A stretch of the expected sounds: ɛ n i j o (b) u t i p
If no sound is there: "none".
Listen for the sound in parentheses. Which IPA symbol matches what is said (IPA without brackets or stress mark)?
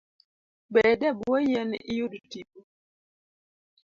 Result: d